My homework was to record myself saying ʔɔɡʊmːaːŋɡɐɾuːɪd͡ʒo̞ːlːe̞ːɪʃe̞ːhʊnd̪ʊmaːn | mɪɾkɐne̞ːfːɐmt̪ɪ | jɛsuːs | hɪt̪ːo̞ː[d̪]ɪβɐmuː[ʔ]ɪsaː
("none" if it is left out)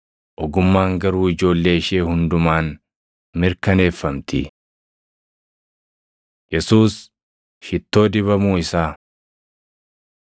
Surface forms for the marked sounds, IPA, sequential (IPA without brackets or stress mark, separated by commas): d̪, none